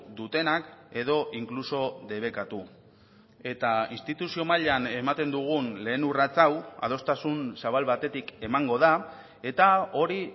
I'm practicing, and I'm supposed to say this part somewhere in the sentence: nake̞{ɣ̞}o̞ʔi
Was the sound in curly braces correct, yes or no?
no